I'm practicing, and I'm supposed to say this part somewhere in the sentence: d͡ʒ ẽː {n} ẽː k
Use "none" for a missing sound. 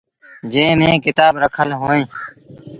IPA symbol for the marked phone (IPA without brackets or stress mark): m